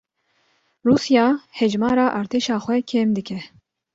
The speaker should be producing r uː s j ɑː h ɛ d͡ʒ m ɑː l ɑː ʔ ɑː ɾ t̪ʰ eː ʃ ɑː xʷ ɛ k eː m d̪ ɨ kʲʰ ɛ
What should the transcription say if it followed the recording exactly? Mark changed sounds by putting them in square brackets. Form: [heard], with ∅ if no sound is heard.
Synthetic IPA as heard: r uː s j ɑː h ɛ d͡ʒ m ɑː [ɾ] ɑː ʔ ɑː ɾ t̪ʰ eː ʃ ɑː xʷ ɛ [kʰ] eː m d̪ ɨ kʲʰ ɛ